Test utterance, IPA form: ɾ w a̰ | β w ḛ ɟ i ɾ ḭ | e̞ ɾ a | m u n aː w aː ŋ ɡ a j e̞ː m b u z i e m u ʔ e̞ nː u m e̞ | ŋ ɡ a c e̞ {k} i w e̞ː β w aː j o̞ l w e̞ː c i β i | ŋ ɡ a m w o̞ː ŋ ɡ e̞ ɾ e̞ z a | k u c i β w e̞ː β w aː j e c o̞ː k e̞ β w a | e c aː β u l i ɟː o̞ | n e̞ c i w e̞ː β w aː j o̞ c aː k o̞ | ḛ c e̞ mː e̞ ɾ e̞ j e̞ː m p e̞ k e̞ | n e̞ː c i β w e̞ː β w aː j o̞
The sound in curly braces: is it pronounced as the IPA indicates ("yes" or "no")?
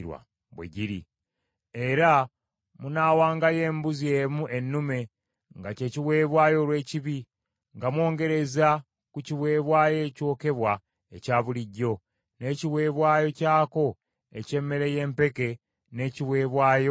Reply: no